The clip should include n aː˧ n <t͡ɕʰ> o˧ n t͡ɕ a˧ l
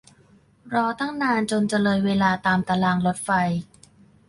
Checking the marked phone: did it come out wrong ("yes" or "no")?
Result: yes